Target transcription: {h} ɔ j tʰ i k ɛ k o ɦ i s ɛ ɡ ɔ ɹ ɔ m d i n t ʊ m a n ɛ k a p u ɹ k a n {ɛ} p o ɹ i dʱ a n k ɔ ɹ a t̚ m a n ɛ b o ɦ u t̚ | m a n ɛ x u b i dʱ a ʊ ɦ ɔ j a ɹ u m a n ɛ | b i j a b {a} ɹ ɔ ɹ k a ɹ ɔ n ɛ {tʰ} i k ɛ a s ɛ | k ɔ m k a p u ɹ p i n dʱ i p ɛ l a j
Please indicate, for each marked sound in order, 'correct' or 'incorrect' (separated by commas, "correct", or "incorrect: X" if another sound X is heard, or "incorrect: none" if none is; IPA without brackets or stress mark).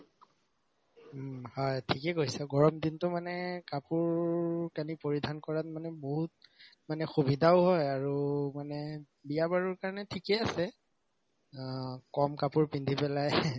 correct, incorrect: i, correct, correct